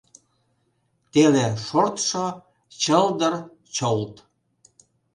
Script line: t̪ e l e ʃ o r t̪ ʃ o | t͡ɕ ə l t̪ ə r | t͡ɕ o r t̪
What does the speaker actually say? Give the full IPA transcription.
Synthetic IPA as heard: t̪ e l e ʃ o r t̪ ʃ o | t͡ɕ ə l d̪ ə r | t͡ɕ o l t̪